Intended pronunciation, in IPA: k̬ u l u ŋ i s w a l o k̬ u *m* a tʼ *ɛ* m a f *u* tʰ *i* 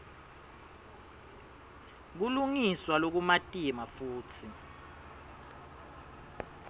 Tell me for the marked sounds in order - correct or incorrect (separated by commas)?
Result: correct, incorrect, incorrect, correct